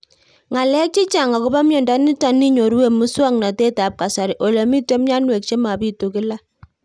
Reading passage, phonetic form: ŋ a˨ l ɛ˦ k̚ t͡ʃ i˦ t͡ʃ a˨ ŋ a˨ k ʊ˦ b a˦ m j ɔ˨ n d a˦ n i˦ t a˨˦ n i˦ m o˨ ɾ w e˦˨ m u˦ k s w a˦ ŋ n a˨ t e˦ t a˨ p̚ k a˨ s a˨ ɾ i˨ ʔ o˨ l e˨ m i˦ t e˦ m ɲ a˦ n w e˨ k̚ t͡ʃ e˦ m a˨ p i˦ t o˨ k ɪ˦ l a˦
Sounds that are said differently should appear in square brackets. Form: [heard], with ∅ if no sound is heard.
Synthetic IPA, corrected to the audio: ŋ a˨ l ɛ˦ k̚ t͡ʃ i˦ t͡ʃ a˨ ŋ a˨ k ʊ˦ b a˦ m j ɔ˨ n d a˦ n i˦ t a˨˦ n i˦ [ɲ] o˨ ɾ w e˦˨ m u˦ [∅] s w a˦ ŋ n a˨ t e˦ t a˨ p̚ k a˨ s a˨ ɾ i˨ ʔ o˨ l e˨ m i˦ t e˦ m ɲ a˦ n w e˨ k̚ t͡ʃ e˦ m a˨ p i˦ t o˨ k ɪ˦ l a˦

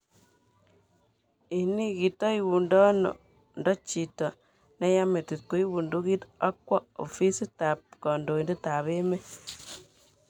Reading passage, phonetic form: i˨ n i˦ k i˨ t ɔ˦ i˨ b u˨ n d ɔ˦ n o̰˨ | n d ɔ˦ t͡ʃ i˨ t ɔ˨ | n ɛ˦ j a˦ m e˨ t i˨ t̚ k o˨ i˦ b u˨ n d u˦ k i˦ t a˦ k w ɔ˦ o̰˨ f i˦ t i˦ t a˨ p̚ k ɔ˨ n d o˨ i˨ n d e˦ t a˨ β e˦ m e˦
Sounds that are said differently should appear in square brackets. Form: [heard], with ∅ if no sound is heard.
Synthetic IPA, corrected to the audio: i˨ n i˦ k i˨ t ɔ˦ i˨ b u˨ n d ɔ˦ n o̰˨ | n d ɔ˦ t͡ʃ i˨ t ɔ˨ | n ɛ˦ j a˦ m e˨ t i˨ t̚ k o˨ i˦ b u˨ n d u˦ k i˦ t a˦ k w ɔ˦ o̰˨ f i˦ [s] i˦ t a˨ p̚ k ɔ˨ n d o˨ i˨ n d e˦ t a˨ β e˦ m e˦

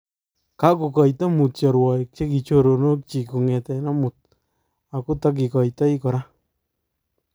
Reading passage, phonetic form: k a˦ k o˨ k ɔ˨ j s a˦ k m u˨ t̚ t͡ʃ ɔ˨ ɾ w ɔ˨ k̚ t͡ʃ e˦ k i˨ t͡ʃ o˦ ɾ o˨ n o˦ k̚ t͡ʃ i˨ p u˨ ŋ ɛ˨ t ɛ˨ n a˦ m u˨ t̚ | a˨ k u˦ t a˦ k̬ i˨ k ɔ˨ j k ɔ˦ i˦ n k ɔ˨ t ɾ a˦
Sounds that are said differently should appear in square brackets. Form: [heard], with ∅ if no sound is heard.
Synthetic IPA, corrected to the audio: k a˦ k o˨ k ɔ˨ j [t] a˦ [∅] m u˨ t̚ t͡ʃ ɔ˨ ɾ w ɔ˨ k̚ t͡ʃ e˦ k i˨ t͡ʃ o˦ ɾ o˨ n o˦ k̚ t͡ʃ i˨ [k] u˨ ŋ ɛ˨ t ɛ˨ n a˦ m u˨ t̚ | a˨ k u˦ t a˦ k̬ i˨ k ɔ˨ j [t] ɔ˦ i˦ [∅] k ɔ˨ [∅] ɾ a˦

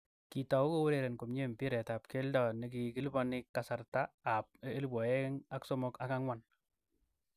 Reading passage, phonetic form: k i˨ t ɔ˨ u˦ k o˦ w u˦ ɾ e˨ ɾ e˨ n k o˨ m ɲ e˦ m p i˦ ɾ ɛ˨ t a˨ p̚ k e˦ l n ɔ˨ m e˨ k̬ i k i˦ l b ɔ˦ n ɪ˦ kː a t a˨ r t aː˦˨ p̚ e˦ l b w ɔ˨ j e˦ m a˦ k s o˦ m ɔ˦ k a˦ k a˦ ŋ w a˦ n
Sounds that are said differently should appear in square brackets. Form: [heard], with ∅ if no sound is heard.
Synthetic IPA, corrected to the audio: k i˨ t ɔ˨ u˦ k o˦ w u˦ ɾ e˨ ɾ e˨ n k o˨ m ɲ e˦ m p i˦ ɾ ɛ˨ t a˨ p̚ k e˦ l [d] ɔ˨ [n] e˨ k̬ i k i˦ l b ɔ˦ n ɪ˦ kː a [s] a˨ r t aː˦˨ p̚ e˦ l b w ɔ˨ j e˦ [ŋ] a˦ k s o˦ m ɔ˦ k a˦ k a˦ ŋ w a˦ n

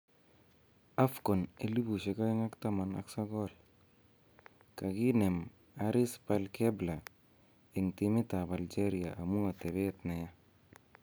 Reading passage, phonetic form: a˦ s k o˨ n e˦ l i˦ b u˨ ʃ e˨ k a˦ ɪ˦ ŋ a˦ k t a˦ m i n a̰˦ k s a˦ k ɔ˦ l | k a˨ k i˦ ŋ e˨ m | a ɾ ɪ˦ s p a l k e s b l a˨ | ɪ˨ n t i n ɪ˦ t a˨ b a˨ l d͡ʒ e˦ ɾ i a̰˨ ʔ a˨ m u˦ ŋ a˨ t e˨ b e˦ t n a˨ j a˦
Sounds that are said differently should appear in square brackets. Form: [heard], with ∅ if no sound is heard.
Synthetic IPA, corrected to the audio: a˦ [f] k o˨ n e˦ l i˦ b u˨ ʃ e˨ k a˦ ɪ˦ ŋ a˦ k t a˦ m [a] n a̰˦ k s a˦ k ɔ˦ l | k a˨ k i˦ [n] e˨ m | a ɾ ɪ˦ s p a l k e [∅] b l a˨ | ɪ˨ [ŋ] t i [m] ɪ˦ t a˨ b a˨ l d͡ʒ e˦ ɾ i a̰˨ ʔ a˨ m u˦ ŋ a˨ t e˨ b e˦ t n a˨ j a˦

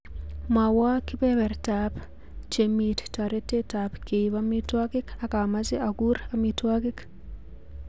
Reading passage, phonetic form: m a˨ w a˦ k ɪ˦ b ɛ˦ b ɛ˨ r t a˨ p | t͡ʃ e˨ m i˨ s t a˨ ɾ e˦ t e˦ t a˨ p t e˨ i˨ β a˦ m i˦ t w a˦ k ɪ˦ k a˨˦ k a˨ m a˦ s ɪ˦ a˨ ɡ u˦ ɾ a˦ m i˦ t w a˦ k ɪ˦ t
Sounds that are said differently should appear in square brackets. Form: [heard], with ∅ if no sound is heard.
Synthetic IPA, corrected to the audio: m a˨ w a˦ k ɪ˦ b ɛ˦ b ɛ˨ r t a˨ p | t͡ʃ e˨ m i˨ [t] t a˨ ɾ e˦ t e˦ t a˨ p [k] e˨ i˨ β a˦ m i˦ t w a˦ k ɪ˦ k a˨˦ k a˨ m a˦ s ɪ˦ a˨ ɡ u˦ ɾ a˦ m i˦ t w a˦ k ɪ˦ [k]

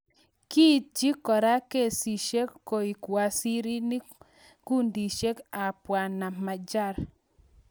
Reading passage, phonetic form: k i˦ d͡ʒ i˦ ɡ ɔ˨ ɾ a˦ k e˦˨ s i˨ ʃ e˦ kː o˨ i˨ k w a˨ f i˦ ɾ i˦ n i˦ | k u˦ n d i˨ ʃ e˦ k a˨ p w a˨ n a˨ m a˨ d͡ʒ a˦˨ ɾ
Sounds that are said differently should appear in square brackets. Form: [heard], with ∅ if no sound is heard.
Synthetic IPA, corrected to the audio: k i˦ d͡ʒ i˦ [k] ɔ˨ ɾ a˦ k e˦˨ s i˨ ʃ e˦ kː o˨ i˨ k w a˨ [s] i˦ ɾ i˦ n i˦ | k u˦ n d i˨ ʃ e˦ k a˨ p w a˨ n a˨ m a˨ d͡ʒ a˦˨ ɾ

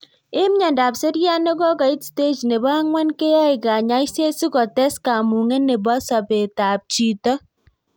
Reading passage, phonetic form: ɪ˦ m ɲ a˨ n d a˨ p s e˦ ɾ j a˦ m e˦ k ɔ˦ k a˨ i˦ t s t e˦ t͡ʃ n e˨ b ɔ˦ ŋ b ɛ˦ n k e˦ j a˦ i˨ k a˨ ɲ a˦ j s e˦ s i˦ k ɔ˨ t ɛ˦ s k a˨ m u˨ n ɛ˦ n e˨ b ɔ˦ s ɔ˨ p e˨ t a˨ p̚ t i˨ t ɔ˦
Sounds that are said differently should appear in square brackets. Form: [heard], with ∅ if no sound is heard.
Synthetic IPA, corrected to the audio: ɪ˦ m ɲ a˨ n d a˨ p s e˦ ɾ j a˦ [n] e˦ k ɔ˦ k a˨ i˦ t s t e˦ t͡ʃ n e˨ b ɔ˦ ŋ [w] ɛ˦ n k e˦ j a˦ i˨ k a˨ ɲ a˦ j s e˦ s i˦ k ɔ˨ t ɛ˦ s k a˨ m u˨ [ŋ] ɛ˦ n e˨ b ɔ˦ s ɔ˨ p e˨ t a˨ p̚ [t͡ʃ] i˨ t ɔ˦

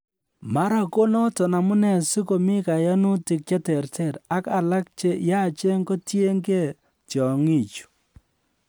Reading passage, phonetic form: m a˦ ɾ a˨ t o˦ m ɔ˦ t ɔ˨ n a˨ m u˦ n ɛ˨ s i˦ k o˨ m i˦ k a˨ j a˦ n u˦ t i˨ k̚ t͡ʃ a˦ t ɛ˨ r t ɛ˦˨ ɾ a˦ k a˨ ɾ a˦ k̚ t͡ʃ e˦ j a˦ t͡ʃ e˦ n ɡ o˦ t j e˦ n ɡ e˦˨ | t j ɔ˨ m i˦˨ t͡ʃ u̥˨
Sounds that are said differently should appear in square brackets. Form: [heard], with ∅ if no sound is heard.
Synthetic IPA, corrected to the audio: m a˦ ɾ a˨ [k] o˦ [n] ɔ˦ t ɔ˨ n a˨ m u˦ n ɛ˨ s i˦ k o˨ m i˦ k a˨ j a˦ n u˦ t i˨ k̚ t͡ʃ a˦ t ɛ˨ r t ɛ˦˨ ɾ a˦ k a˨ [l] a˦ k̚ t͡ʃ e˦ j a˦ t͡ʃ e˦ [ŋ] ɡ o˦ t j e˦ [ŋ] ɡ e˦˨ | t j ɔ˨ [ŋ] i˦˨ t͡ʃ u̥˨

